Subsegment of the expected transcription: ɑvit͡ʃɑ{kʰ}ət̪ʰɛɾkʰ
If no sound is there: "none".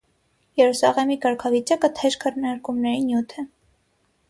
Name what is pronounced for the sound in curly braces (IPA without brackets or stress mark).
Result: k